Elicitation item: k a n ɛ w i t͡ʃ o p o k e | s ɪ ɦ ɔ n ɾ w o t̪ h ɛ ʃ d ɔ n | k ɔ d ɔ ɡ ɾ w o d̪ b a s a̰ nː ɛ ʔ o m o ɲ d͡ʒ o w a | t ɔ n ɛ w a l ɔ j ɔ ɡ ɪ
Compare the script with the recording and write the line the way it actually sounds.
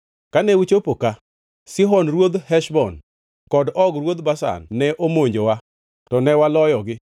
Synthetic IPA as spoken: k a n ɛ w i t͡ʃ o p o k a | s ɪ ɦ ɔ n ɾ w o d̪ h ɛ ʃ b ɔ n | k ɔ d ɔ ɡ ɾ w o d̪ b a s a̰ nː ɛ ʔ o m o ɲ d͡ʒ o w a | t ɔ n ɛ w a l ɔ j ɔ ɡ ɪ